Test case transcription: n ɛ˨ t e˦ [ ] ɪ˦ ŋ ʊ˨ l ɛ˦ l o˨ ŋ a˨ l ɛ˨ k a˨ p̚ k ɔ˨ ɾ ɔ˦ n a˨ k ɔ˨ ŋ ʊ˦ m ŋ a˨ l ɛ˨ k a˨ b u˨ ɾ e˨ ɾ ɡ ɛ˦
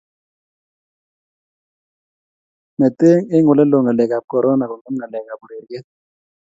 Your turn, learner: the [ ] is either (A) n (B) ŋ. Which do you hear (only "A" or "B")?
B